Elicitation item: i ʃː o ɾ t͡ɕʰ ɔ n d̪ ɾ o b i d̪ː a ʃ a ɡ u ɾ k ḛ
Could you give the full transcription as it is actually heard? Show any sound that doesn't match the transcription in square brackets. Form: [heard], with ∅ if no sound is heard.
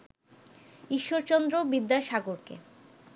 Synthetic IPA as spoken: i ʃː o ɾ [t͡ɕ] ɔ n d̪ ɾ o b i d̪ː a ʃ a ɡ [o] ɾ k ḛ